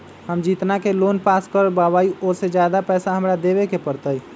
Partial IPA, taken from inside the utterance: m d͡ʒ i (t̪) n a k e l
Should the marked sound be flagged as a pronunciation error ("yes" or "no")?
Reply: no